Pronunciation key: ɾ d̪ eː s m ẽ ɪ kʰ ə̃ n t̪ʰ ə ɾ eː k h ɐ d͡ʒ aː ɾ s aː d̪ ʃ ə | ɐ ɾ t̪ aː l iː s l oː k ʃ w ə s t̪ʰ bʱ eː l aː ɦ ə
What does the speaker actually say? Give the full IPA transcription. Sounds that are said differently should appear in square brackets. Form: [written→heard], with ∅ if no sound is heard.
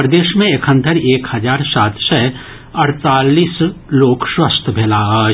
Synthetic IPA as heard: ɾ d̪ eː [s→ʃ] m ẽ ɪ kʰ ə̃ n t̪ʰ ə ɾ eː k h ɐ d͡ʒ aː ɾ s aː [d̪→t̪] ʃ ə | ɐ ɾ t̪ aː l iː s l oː k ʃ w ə s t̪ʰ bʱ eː l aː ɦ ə